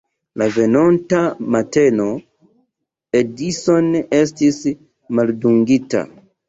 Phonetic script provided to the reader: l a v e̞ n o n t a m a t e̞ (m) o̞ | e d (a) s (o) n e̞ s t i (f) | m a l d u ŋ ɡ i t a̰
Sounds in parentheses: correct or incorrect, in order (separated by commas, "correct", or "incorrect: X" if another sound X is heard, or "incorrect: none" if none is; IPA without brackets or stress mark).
incorrect: n, incorrect: i, correct, incorrect: s